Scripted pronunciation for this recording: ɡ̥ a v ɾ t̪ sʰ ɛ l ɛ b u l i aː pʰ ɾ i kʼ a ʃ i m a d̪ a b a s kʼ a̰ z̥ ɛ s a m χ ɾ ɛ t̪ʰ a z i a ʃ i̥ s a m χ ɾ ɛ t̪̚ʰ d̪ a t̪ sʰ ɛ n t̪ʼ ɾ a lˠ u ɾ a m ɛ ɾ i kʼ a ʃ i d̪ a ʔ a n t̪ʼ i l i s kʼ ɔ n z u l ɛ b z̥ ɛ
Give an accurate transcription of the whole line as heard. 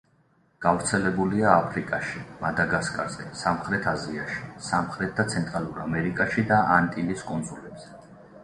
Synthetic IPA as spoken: ɡ̥ a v ɾ t̪ sʰ ɛ l ɛ b u l i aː pʰ ɾ i kʼ a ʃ i m a d̪ a ɡ a s kʼ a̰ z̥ ɛ s a m χ ɾ ɛ t̪ʰ a z i a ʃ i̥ s a m χ ɾ ɛ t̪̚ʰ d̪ a t̪ sʰ ɛ n t̪ʼ ɾ a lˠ u ɾ a m ɛ ɾ i kʼ a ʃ i d̪ a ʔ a n t̪ʼ i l i s kʼ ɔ n z u l ɛ b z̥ ɛ